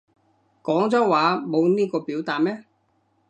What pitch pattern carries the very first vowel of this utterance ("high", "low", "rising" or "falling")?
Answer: rising